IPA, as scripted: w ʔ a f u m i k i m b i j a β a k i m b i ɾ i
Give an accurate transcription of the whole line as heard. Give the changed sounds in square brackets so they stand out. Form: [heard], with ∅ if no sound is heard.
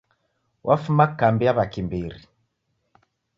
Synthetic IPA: w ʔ a f u m [a] k [a] m b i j a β a k i m b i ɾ i